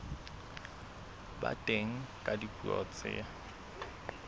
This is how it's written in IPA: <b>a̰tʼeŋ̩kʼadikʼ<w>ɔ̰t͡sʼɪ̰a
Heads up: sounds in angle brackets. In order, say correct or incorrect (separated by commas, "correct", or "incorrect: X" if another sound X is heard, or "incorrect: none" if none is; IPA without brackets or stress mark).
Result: correct, incorrect: u